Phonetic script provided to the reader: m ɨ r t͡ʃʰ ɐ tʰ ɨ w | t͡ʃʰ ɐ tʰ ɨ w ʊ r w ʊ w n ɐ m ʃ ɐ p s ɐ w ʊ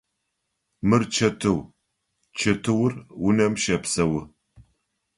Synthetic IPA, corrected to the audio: m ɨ r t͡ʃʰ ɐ tʰ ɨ w | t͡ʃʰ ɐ tʰ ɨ w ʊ r w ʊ n ɐ m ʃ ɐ p s ɐ w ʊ